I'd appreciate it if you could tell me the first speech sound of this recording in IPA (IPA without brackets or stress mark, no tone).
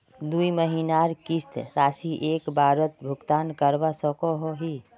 d̪